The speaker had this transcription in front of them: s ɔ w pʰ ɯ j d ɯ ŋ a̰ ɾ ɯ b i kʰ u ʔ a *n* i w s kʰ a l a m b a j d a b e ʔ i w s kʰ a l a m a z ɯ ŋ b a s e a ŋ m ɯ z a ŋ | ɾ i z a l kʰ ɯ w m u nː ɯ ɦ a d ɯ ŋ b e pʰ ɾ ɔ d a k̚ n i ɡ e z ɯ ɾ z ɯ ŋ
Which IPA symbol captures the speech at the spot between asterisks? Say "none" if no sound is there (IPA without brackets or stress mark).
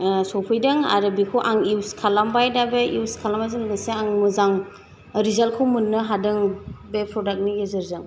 ŋ